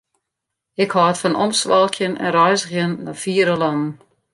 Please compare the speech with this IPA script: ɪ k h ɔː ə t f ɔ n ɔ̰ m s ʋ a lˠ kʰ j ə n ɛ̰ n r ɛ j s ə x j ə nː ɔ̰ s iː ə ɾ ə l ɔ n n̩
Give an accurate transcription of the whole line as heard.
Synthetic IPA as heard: ɪ k h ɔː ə t f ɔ n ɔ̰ m s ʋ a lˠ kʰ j ə n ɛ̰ n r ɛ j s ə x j ə nː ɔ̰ f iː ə ɾ ə l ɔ n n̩